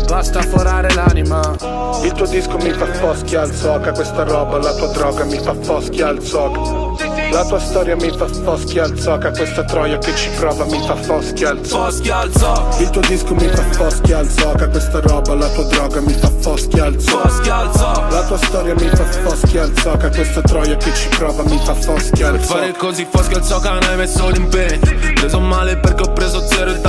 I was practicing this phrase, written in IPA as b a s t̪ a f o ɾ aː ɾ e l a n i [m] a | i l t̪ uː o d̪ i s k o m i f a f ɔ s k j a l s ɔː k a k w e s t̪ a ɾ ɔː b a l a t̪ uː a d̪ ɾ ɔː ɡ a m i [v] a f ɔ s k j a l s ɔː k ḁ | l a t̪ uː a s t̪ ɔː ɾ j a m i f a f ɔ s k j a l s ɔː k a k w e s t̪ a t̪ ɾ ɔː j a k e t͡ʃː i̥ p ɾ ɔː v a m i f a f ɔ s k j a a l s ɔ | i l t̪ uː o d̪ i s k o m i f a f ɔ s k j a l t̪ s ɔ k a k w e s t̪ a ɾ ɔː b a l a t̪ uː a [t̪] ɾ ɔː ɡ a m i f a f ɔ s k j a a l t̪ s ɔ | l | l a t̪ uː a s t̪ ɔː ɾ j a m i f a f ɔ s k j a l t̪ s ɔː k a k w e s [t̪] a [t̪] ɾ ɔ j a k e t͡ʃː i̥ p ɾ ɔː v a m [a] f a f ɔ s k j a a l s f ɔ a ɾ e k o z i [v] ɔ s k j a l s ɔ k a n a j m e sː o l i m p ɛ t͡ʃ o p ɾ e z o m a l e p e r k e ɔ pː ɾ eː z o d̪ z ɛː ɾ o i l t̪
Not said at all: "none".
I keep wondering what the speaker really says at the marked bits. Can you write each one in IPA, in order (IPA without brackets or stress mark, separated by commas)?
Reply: m, f, d̪, t̪, t̪, i, f